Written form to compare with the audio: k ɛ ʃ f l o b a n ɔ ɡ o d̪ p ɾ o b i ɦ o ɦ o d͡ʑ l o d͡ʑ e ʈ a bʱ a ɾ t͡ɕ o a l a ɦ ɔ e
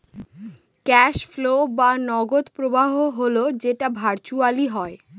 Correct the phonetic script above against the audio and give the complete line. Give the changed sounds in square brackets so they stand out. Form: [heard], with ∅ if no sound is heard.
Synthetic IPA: k ɛ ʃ f l o b a n ɔ ɡ o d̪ p ɾ o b [a] ɦ o ɦ o [∅] l o d͡ʑ e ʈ a bʱ a ɾ t͡ɕ [u] a l [i] ɦ ɔ e

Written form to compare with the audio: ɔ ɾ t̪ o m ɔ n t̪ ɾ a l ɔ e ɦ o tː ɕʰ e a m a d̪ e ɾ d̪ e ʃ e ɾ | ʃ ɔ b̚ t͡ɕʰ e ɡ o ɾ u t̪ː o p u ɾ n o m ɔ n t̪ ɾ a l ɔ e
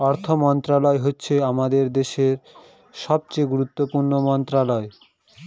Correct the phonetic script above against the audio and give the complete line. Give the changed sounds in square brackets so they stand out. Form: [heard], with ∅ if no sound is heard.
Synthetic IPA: ɔ ɾ [t̪ʰ] o m ɔ n t̪ ɾ a l ɔ e ɦ o tː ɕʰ e a m a d̪ e ɾ d̪ e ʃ e ɾ | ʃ ɔ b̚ [t͡ɕ] e ɡ [u] ɾ u t̪ː o p u ɾ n o m ɔ n t̪ ɾ a l ɔ e

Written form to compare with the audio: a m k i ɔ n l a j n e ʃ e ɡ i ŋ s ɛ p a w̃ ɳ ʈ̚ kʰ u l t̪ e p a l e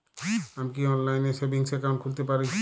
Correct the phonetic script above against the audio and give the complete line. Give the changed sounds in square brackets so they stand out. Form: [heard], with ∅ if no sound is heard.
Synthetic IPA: a m k i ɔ n l a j n e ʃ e [b] i ŋ s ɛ [k] a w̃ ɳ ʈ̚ kʰ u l t̪ e p a [ɾ] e

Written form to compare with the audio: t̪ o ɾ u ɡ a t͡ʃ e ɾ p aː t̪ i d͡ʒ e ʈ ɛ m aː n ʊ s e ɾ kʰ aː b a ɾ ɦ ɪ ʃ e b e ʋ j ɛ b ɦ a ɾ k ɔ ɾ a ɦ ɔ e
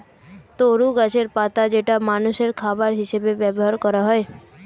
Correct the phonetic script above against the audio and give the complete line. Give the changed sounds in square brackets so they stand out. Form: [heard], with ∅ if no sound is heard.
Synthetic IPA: t̪ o ɾ u ɡ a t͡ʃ e ɾ p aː t̪ [a] d͡ʒ e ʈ [a] m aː n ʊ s e ɾ kʰ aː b a ɾ ɦ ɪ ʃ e b e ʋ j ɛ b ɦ a ɾ k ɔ ɾ a ɦ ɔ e

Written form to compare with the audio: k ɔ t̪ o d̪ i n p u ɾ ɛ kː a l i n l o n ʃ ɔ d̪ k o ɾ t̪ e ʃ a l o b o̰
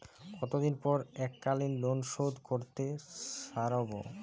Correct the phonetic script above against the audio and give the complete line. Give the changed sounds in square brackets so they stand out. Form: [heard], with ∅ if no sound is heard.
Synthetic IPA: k ɔ t̪ o d̪ i n p [ɔ] ɾ ɛ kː a l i n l o n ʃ [o] d̪ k o ɾ t̪ e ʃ a [ɾ] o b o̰

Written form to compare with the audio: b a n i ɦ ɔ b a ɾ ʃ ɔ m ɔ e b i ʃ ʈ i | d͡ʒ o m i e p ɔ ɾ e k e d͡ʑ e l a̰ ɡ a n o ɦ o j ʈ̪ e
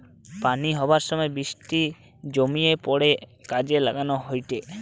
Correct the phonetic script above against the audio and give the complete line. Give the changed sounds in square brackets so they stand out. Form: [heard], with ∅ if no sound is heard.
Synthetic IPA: [p] a n i ɦ ɔ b a ɾ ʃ ɔ m ɔ e b i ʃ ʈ i | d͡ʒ o m i e p ɔ [ɽ] e k [a] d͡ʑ e l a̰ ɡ a n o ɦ o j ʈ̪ e

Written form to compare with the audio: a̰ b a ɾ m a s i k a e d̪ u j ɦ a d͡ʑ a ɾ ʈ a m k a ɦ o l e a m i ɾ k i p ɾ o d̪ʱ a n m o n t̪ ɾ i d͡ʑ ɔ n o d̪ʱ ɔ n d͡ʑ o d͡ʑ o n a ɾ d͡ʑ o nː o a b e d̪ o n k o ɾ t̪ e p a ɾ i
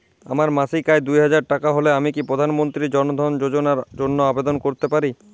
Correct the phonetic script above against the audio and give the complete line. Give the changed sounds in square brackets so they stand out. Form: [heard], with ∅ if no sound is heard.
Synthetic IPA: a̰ [m] a ɾ m a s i k a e d̪ u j ɦ a d͡ʑ a ɾ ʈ a [∅] k a ɦ o l e a m i [∅] k i p ɾ o d̪ʱ a n m o n t̪ ɾ i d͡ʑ ɔ n o d̪ʱ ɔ n d͡ʑ o d͡ʑ o n a ɾ d͡ʑ o nː o a b e d̪ o n k o ɾ t̪ e p a ɾ i

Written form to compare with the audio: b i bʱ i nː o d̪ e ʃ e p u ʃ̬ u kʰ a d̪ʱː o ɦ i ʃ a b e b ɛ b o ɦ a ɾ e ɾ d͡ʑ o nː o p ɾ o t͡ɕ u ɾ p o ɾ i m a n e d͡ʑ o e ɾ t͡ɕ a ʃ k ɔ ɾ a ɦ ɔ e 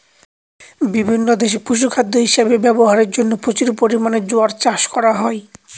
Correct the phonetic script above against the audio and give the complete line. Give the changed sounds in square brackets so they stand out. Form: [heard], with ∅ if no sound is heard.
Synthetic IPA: b i bʱ i nː o d̪ e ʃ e p u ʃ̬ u kʰ a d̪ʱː o ɦ i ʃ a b e b ɛ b o ɦ a ɾ e ɾ d͡ʑ o nː o p ɾ o t͡ɕ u ɾ p o ɾ i m a n e d͡ʑ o [a] ɾ t͡ɕ a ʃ k ɔ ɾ a ɦ ɔ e

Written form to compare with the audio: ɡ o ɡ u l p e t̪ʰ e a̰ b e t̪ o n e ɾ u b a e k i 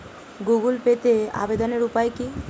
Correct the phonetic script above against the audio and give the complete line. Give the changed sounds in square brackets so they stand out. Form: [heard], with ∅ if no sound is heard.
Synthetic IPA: ɡ [u] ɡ u l p e [t̪] e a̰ b e [d̪] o n e ɾ u [p] a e k i

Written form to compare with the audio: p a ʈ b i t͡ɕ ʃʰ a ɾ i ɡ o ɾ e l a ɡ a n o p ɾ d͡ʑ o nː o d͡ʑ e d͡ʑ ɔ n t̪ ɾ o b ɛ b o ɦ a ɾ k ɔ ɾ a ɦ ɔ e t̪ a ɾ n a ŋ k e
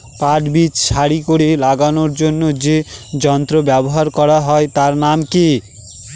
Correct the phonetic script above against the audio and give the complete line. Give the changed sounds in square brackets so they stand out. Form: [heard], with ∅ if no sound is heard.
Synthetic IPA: p a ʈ b i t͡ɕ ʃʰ a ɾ i [k] o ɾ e l a ɡ a n o [∅] ɾ d͡ʑ o nː o d͡ʑ e d͡ʑ ɔ n t̪ ɾ o b ɛ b o ɦ a ɾ k ɔ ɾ a ɦ ɔ e t̪ a ɾ n a [m] k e

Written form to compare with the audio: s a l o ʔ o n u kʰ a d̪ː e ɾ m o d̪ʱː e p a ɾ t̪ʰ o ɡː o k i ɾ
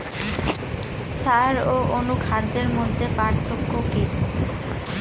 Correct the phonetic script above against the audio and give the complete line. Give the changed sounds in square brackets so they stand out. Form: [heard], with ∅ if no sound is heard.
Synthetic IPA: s a [ɾ] o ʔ o n u kʰ a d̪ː e ɾ m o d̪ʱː e p a ɾ t̪ʰ o [kː] o k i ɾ

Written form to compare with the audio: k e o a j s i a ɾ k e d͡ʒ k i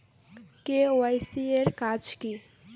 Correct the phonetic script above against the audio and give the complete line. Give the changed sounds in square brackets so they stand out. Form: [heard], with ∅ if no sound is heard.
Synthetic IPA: k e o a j s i [e] ɾ k [a] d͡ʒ k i

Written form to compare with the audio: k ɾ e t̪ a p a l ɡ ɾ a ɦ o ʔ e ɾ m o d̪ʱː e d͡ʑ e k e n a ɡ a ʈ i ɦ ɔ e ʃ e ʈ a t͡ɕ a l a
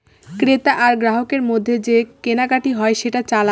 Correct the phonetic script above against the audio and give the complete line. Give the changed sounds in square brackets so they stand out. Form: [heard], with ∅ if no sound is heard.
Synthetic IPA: k ɾ e t̪ a [ʔ] a [ɾ] ɡ ɾ a ɦ o [k] e ɾ m o d̪ʱː e d͡ʑ e k e n a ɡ a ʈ i ɦ ɔ e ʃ e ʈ a t͡ɕ a l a

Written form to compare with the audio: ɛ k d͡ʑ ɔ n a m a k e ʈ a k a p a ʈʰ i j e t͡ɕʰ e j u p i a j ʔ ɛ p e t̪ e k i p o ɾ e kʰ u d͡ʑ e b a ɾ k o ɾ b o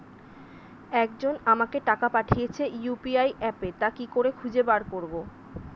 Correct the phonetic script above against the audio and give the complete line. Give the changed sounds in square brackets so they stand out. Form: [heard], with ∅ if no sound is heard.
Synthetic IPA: ɛ k d͡ʑ [o] n a m a k e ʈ a k a p a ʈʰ i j e t͡ɕʰ e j u p i a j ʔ ɛ p e t̪ [a] k i [k] o ɾ e kʰ u d͡ʑ e b a ɾ k o ɾ b o

